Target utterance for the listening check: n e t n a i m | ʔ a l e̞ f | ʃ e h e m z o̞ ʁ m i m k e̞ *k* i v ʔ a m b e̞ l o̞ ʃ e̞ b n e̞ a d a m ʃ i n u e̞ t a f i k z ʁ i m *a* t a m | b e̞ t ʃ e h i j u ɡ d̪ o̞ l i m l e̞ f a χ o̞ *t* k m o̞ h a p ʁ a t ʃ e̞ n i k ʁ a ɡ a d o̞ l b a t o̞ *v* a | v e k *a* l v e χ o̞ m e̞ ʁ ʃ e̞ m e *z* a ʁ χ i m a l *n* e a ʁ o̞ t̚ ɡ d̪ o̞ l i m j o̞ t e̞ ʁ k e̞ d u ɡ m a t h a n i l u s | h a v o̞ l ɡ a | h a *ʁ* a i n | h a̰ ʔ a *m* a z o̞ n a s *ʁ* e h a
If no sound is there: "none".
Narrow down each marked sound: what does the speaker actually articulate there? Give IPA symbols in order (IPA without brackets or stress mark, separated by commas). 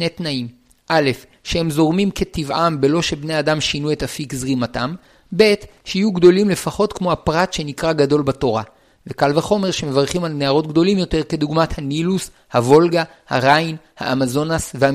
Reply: t, a, t, ʁ, a, v, n, ʁ, m, v